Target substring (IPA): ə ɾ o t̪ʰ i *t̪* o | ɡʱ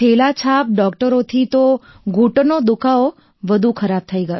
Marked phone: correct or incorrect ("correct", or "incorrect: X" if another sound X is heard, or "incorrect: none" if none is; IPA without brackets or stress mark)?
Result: correct